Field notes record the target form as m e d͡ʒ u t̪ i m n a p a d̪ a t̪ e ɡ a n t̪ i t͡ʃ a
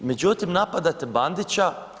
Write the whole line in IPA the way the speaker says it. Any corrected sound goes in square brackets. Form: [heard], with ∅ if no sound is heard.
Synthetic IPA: m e d͡ʒ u t̪ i m n a p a d̪ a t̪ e [b] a n [d̪] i t͡ʃ a